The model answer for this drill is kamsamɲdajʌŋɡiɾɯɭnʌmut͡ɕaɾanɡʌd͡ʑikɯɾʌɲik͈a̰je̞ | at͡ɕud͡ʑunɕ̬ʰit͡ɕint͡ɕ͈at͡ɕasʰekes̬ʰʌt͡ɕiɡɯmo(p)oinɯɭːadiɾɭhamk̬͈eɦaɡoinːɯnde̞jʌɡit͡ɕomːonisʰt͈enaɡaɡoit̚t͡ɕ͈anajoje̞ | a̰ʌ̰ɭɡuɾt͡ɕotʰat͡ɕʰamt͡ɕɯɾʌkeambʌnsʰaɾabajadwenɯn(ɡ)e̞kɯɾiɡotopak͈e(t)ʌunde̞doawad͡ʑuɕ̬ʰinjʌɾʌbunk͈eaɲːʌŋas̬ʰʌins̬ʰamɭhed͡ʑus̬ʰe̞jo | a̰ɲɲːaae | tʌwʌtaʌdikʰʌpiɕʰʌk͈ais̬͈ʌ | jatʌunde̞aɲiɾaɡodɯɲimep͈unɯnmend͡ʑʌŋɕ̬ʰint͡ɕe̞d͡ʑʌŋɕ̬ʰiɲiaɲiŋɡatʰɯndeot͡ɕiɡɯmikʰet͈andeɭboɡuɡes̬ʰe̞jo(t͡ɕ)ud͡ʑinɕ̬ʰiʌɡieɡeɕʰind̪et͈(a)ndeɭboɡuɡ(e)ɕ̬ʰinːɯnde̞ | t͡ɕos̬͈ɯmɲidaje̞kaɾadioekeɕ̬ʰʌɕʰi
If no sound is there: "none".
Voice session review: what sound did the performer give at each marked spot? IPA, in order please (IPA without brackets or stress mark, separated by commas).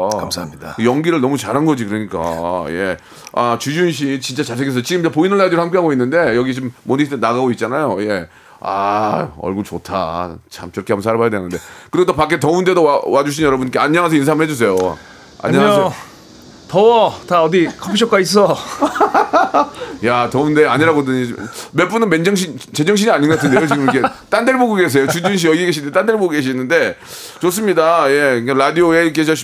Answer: p, d, t, t͡ɕ, a, e